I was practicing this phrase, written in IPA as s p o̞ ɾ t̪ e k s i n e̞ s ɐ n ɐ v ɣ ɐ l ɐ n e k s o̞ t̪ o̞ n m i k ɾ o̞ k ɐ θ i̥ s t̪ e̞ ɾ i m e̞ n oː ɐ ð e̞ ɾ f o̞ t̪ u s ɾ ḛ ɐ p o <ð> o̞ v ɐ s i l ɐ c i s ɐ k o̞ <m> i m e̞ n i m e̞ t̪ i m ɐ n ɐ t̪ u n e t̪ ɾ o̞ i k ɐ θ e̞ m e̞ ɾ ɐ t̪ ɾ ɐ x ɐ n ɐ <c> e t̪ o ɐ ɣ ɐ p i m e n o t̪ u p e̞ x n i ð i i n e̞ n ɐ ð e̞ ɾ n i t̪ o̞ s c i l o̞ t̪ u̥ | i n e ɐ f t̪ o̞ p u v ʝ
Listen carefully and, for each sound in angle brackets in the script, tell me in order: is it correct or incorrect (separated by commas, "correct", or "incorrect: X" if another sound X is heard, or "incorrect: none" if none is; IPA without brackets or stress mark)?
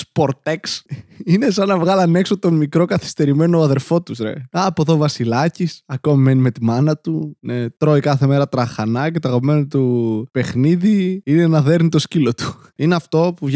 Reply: correct, correct, correct